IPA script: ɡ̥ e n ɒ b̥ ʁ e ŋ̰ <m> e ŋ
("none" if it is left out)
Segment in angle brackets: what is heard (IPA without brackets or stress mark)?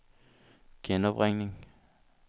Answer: n